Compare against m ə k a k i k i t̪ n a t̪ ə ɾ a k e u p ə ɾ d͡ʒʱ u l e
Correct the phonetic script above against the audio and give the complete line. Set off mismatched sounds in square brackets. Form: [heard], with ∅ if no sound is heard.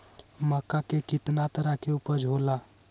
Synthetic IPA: m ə k a k [e] k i t̪ n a t̪ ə ɾ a k e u p ə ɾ d͡ʒʱ [o] l [a]